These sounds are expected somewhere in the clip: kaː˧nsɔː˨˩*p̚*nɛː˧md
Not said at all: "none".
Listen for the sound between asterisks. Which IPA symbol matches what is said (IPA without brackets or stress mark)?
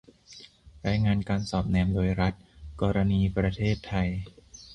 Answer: p̚